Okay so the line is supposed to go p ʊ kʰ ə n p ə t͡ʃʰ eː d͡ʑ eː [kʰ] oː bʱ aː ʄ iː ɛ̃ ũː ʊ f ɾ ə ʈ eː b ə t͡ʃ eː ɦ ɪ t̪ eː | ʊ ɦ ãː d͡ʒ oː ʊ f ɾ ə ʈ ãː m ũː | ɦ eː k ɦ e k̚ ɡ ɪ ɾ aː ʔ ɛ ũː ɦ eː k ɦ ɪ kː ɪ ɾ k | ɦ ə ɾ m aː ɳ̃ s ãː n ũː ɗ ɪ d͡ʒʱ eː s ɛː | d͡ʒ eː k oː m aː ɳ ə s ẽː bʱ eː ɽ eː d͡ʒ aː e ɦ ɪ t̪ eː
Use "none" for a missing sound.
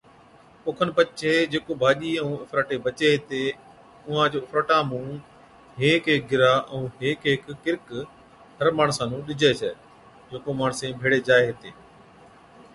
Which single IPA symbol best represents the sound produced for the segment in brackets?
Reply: k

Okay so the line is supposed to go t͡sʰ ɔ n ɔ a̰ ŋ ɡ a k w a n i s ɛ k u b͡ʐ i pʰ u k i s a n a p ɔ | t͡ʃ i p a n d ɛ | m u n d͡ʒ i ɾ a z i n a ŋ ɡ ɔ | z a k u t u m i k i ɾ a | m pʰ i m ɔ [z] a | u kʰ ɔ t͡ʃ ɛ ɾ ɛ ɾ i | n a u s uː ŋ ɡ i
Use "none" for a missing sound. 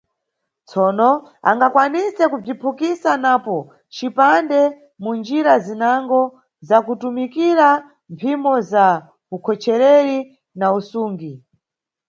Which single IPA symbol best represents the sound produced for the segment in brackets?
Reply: z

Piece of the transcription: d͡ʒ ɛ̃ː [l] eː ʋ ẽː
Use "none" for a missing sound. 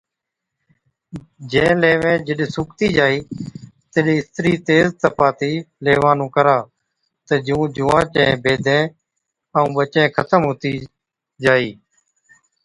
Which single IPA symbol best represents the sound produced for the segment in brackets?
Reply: l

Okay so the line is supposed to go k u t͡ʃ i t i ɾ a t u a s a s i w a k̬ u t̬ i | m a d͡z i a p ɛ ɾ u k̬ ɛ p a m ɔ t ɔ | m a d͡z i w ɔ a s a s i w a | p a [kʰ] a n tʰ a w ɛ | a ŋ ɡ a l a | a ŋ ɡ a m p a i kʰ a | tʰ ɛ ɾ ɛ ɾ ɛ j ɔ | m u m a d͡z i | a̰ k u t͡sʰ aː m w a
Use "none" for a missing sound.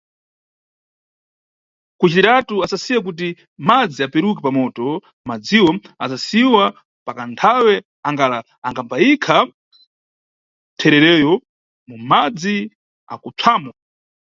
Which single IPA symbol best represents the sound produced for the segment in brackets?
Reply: k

